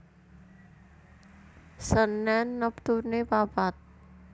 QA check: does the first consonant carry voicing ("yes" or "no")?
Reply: no